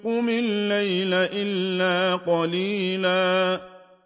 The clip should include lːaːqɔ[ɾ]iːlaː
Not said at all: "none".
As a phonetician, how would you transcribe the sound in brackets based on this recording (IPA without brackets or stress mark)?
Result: l